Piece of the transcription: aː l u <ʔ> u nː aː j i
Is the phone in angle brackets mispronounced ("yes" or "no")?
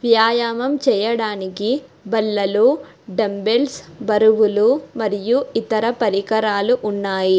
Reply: no